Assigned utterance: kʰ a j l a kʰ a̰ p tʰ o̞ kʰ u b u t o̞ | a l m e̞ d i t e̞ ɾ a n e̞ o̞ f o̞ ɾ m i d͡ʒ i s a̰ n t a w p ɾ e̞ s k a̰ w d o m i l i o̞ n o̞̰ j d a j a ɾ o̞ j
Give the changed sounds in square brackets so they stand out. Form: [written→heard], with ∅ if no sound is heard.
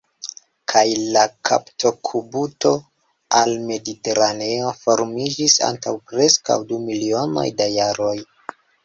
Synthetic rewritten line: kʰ a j l a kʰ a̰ p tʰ o̞ kʰ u b u t o̞ | a l m e̞ d i t e̞ ɾ a n e̞ o̞ f o̞ ɾ m i d͡ʒ i s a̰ n t a w p ɾ e̞ s k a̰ w d [o→u] m i l i o̞ n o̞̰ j d a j a ɾ o̞ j